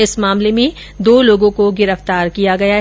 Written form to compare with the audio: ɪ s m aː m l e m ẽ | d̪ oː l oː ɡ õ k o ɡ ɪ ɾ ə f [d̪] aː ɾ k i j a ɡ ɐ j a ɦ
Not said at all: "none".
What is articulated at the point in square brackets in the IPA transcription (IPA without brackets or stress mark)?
t̪